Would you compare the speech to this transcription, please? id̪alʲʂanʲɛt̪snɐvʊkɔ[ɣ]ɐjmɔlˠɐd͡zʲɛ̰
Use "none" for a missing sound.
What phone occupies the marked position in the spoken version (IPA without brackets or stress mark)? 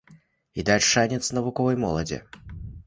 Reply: v